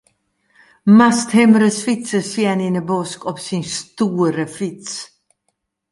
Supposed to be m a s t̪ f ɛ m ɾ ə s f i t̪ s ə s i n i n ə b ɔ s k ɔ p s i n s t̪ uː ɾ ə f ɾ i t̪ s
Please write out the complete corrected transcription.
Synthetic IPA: m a s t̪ h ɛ m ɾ ə s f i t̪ s ə s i n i n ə b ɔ s k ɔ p s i n s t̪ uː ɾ ə f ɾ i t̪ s